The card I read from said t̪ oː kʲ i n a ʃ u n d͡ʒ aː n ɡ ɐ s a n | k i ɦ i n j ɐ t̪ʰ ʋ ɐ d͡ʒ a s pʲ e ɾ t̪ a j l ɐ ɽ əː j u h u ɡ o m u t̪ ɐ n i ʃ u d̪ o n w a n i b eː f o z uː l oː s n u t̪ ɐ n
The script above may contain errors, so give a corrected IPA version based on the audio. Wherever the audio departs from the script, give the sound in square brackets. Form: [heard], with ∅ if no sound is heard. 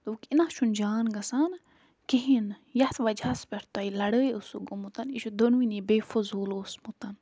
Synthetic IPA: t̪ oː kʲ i n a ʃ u n d͡ʒ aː n ɡ ɐ s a n | k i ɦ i n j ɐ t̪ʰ ʋ ɐ d͡ʒ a s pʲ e ɾ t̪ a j l ɐ ɽ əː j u [s] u ɡ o m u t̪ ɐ n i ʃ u d̪ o n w [i] n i b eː f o z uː l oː s [m] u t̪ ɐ n

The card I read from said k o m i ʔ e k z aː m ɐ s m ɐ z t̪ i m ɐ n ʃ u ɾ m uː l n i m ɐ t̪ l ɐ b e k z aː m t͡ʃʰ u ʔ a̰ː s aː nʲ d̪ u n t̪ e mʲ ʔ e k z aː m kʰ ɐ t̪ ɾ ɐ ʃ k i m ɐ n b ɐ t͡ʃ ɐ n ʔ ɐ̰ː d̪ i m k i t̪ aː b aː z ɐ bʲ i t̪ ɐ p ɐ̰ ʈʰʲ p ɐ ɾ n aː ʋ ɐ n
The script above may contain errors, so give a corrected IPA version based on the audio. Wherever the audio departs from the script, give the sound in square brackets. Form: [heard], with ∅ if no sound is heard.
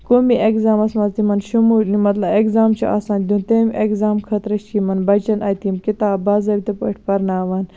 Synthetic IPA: k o m i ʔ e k z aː m ɐ s m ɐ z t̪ i m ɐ n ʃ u [∅] m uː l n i m ɐ t̪ l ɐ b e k z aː m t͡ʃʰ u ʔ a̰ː s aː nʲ d̪ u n t̪ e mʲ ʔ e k z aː m kʰ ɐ t̪ ɾ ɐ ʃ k i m ɐ n b ɐ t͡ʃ ɐ n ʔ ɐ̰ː [t̪] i m k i t̪ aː b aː z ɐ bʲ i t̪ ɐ p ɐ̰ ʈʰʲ p ɐ ɾ n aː ʋ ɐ n

